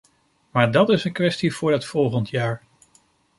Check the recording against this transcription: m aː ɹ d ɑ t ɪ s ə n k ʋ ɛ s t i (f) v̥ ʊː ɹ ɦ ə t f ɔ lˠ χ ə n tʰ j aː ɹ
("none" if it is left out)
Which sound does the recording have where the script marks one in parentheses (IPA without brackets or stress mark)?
none